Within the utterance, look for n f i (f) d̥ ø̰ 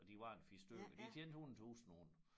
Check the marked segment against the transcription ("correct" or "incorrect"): incorrect